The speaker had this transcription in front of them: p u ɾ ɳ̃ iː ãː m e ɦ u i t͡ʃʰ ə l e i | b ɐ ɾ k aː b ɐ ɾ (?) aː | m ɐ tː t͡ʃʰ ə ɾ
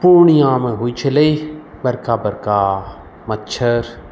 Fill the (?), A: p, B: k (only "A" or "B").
B